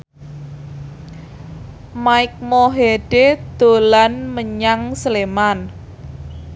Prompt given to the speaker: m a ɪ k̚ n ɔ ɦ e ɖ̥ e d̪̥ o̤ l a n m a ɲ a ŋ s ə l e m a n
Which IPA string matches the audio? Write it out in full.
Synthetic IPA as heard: m a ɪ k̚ m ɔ ɦ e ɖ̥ e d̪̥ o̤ l a n m ə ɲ a ŋ s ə l e m a n